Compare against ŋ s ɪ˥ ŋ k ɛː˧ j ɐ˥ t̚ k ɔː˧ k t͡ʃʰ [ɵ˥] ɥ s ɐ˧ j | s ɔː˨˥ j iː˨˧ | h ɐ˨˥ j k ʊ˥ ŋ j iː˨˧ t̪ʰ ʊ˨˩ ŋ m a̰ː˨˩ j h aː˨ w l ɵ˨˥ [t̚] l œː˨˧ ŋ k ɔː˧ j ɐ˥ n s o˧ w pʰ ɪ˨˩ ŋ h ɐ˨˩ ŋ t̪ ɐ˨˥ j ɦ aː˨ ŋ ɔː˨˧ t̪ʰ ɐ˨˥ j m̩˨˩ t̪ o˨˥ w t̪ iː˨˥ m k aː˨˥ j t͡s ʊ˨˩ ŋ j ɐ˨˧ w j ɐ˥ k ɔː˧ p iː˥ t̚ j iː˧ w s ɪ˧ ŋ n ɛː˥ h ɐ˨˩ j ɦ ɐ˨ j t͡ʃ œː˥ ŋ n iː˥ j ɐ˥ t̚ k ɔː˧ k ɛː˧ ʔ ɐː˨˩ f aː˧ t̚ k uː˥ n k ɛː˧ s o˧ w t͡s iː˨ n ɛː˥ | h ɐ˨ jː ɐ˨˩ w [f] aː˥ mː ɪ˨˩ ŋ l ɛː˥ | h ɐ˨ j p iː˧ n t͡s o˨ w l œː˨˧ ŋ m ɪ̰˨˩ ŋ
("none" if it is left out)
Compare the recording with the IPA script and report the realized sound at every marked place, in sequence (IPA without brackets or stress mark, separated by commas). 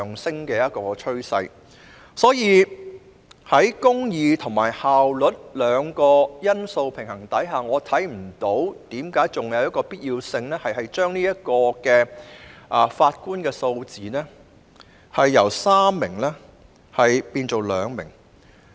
ɵ˥, t̚, s